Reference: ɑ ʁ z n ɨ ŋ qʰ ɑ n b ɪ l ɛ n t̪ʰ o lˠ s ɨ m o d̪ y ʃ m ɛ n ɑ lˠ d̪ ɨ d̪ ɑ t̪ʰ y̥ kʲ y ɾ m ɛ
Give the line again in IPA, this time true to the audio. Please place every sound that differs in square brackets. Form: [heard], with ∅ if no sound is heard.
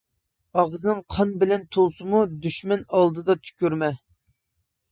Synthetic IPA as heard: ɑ ʁ z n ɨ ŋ qʰ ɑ n b ɪ l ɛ n t̪ʰ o lˠ s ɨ m [u] d̪ y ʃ m ɛ n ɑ lˠ d̪ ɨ d̪ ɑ t̪ʰ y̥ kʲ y ɾ m ɛ

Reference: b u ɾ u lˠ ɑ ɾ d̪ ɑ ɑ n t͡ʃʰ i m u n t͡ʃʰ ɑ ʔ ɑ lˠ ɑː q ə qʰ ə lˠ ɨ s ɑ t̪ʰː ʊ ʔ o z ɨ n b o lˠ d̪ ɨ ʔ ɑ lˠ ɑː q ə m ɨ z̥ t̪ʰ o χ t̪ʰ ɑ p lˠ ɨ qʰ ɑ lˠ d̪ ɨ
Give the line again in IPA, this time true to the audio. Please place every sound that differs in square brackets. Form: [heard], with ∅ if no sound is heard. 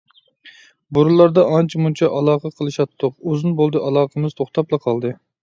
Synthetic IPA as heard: b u ɾ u lˠ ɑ ɾ d̪ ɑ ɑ n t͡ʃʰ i m u n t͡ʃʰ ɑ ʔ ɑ lˠ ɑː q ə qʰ ə lˠ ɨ [ʃ] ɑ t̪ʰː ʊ [q] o z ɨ n b o lˠ d̪ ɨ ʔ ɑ lˠ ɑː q ə m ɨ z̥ t̪ʰ o χ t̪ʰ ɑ p lˠ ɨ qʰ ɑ lˠ d̪ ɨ

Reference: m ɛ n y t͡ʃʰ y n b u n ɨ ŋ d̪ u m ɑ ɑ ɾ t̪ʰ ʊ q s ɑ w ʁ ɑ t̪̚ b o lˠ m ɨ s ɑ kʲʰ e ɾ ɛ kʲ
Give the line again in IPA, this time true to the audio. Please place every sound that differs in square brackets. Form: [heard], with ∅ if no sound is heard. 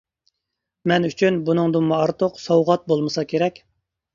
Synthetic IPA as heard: m ɛ n y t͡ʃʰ y n b u n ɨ ŋ d̪ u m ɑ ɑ ɾ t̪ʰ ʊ q s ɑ w ʁ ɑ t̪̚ b o lˠ m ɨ s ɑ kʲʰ e ɾ ɛ kʲ

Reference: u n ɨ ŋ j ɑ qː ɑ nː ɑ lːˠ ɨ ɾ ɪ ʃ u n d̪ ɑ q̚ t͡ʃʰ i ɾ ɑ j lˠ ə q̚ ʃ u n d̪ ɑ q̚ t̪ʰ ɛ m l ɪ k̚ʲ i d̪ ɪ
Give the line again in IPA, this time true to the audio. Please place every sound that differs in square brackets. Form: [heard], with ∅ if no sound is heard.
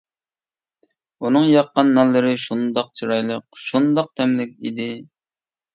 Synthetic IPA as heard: u n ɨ ŋ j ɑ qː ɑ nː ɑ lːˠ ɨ ɾ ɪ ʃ u n d̪ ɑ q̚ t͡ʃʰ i ɾ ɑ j lˠ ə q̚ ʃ u n d̪ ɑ q̚ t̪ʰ ɛ m l ɪ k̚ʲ i d̪ ɪ

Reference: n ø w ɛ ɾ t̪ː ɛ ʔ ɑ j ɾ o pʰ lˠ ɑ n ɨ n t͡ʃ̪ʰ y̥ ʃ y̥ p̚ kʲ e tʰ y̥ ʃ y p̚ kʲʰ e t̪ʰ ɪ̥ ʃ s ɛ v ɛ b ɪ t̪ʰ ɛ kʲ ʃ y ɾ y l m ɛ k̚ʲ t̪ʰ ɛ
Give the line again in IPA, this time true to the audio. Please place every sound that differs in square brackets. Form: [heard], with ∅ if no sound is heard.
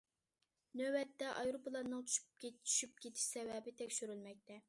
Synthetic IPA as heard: n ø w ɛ [∅] t̪ː ɛ ʔ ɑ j ɾ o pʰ lˠ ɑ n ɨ [ŋ] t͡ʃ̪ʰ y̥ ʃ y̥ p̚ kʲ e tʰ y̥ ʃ y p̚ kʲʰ e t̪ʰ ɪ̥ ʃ s ɛ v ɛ b ɪ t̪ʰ ɛ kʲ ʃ y ɾ y l m ɛ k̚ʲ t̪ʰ ɛ

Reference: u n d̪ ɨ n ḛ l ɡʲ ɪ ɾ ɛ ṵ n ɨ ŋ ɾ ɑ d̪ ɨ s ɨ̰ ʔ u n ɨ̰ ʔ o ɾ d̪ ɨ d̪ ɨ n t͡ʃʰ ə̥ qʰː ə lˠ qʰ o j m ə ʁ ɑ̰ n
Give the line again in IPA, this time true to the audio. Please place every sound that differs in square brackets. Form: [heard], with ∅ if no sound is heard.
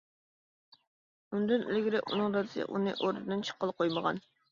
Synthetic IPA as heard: u n d̪ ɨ n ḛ l ɡʲ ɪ ɾ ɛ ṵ n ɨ ŋ ɾ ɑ d̪ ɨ s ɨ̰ ʔ u n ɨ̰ ʔ o ɾ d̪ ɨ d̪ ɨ n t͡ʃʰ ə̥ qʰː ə lˠ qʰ o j m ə ʁ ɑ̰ n

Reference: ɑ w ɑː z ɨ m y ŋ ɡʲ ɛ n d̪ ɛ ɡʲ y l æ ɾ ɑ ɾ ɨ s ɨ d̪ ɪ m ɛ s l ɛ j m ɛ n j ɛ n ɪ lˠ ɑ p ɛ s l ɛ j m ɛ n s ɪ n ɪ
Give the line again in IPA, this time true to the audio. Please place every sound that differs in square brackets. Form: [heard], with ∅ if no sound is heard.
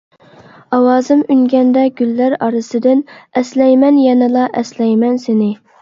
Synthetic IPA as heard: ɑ w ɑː z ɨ m y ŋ ɡʲ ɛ n d̪ ɛ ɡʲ y [lː] æ ɾ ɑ ɾ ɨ s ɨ d̪ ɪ [n] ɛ s l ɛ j m ɛ n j ɛ n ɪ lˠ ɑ [ʔ] ɛ s l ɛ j m ɛ n s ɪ n ɪ

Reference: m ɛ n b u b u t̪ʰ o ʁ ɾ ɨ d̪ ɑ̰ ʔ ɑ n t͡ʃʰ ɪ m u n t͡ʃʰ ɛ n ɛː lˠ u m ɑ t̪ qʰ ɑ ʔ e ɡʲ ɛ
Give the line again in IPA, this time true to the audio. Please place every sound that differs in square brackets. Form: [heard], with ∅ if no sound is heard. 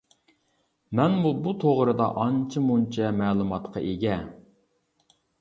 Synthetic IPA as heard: m ɛ n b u b u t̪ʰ o ʁ ɾ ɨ d̪ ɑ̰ ʔ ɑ n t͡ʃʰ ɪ m u n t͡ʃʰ ɛ [m] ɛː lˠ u m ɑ t̪ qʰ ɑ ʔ e ɡʲ ɛ

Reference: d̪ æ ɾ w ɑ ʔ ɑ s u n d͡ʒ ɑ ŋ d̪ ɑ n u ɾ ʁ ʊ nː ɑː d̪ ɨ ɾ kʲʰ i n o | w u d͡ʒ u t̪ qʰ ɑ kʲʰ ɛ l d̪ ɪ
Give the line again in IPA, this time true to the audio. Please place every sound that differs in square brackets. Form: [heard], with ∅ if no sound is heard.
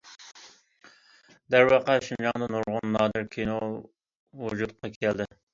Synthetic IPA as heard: d̪ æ ɾ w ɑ [q] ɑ [ʃ] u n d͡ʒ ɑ ŋ d̪ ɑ n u ɾ ʁ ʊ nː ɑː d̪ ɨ ɾ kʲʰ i n o | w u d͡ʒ u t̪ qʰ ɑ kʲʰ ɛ l d̪ ɪ

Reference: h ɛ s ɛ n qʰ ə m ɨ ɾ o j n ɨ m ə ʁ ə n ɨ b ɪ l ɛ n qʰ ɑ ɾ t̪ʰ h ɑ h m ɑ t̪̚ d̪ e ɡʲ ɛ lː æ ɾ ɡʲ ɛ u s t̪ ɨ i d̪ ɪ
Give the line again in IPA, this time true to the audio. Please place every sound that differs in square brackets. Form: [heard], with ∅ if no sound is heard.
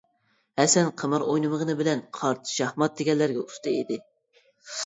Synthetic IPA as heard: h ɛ s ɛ n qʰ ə m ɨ ɾ o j n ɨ m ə ʁ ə n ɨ b ɪ l ɛ n qʰ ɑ ɾ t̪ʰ [ʃ] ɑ h m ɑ t̪̚ d̪ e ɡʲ ɛ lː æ ɾ ɡʲ ɛ u s t̪ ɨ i d̪ ɪ

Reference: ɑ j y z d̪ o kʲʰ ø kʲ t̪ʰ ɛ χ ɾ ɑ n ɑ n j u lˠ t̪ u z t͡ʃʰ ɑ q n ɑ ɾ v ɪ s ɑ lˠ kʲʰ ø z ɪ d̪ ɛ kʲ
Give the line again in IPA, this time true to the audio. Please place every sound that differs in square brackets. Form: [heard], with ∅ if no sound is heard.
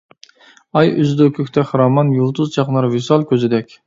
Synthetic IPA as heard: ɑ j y z d̪ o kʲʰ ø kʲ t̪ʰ ɛ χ ɾ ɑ [m] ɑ n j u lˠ t̪ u z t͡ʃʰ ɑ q n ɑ ɾ v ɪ s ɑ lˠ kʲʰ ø z ɪ d̪ ɛ kʲ

